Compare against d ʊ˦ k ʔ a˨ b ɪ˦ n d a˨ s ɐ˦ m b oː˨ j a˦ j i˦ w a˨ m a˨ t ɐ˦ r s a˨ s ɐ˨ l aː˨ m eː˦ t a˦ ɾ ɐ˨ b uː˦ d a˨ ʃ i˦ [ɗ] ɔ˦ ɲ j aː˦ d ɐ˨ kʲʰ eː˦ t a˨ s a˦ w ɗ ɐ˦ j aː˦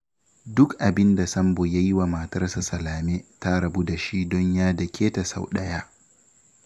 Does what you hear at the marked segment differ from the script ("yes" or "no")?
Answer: yes